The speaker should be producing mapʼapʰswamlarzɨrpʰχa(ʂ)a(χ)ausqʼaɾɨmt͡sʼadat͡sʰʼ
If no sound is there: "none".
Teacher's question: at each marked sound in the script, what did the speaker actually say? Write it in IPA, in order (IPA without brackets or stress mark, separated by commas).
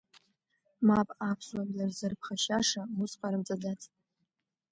ʃ, ʂ